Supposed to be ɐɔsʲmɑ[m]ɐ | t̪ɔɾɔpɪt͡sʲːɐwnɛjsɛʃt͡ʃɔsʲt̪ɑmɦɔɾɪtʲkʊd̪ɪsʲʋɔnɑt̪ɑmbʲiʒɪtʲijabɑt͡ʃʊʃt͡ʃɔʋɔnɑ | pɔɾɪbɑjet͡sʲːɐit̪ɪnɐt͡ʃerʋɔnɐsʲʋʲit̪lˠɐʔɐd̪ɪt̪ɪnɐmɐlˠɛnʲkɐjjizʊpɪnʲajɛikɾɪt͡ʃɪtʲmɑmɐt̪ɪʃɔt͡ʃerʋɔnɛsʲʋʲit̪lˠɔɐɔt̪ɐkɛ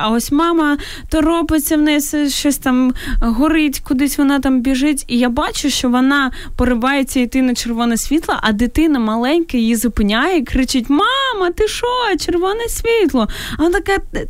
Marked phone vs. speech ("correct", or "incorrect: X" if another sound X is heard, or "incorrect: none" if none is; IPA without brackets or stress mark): correct